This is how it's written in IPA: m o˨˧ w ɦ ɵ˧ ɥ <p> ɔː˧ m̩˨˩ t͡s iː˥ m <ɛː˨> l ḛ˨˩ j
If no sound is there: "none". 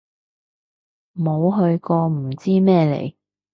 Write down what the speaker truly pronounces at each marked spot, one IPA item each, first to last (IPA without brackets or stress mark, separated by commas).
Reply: k, ɛː˥